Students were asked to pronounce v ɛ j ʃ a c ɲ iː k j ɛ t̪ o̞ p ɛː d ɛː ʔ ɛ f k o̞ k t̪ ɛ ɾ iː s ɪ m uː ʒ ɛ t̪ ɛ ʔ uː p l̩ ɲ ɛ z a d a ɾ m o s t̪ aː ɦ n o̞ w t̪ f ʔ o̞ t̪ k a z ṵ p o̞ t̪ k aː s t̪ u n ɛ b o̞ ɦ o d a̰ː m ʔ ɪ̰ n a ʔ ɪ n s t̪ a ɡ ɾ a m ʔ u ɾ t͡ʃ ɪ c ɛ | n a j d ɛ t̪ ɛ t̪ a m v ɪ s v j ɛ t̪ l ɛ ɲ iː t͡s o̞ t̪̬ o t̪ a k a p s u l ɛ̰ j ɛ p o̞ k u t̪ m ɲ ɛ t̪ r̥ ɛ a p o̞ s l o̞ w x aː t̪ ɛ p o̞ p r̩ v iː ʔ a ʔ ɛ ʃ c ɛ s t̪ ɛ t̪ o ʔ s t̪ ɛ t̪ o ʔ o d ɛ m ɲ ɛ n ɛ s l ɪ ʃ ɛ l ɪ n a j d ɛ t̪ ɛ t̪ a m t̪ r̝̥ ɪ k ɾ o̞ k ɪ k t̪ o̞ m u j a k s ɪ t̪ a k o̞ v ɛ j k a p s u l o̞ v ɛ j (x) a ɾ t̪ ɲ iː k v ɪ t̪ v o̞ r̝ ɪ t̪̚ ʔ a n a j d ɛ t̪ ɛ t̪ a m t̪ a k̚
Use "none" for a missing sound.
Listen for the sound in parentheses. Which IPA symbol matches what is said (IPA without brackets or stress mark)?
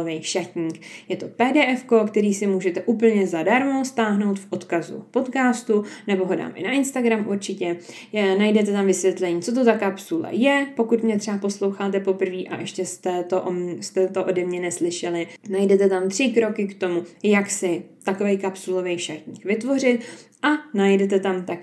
ʃ